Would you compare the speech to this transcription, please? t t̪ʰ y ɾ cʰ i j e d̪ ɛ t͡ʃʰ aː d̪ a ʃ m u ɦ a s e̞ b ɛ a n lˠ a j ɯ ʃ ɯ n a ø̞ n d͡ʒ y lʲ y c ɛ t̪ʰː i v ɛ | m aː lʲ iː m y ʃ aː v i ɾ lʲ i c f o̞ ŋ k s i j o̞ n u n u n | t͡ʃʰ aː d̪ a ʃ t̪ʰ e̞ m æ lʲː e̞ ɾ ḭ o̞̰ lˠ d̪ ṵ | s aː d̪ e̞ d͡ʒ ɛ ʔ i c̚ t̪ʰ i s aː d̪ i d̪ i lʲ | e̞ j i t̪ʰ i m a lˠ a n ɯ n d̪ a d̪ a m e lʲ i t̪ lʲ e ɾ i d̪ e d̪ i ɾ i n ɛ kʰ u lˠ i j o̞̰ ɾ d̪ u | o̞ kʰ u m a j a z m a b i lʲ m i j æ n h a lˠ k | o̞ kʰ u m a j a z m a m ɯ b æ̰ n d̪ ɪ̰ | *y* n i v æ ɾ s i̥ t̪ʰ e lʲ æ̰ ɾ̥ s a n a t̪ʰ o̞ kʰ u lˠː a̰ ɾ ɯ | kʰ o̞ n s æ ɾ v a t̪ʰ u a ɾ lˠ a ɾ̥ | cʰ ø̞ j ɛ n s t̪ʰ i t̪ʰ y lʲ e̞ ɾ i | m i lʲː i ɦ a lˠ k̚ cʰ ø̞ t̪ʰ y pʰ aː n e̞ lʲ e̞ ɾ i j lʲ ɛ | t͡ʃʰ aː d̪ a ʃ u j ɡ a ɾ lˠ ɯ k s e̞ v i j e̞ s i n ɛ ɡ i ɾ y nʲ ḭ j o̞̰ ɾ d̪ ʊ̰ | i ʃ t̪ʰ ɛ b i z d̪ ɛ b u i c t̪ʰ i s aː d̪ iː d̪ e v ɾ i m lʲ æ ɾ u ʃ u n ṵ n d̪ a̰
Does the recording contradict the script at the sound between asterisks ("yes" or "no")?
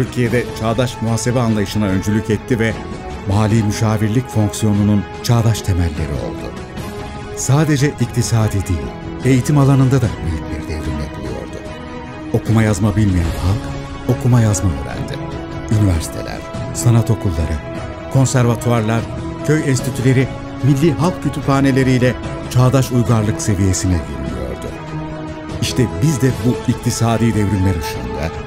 no